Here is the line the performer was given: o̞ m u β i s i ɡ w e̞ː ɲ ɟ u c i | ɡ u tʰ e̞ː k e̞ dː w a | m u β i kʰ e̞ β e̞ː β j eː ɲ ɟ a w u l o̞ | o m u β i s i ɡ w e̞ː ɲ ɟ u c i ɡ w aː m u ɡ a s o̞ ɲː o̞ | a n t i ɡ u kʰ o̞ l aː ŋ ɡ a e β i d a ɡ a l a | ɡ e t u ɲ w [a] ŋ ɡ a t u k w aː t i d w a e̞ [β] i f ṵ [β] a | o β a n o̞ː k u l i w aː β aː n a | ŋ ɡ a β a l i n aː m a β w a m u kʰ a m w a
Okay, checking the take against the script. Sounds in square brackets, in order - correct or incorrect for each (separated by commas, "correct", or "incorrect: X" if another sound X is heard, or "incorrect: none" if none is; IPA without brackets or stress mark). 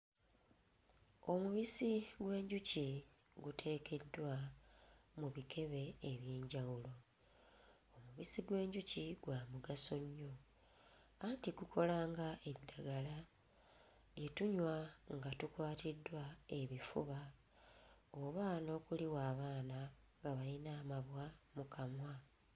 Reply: correct, correct, correct